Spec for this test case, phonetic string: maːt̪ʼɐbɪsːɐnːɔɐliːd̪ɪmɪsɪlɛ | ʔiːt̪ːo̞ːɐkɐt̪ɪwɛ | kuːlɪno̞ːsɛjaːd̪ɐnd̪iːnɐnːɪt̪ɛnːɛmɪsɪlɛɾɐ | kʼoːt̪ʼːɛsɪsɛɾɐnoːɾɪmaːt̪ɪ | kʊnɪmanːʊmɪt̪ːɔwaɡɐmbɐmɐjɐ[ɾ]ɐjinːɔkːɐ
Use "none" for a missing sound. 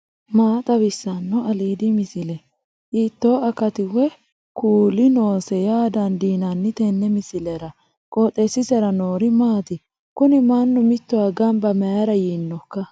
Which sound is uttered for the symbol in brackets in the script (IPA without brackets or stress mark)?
ɾ